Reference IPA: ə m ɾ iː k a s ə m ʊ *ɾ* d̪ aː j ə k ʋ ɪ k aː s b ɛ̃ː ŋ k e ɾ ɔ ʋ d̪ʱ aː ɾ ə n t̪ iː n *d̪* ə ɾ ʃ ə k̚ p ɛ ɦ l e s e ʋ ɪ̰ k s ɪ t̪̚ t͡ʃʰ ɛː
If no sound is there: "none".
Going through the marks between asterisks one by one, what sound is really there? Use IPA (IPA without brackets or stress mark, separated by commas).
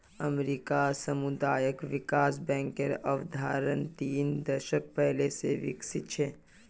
none, d̪